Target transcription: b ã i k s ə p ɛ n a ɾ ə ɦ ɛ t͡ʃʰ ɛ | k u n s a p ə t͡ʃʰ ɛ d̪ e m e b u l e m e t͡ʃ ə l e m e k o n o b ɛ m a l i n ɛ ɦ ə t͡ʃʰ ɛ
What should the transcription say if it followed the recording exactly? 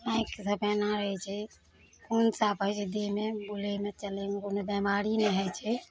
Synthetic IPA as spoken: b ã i k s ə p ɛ n a ɾ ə ɦ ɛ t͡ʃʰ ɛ | k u n s a p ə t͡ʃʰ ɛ d̪ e m e b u l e m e t͡ʃ ə l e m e k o n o b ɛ m a ɾ i n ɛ ɦ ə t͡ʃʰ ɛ